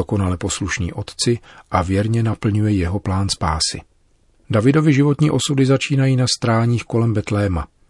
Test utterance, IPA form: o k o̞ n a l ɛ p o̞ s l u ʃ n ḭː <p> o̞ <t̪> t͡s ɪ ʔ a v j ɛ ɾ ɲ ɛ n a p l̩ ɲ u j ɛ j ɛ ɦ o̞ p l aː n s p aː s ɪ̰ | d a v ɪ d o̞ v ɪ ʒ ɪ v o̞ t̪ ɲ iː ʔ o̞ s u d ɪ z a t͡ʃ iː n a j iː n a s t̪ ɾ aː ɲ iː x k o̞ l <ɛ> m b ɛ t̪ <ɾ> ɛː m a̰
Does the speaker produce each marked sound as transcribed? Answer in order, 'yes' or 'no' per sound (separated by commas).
no, yes, yes, no